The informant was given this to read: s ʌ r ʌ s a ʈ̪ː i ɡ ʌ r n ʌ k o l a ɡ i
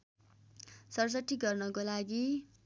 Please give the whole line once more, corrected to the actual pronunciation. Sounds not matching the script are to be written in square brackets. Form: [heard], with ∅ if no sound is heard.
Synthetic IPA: s ʌ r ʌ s [ʌ] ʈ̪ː i ɡ ʌ r n ʌ k o l a ɡ i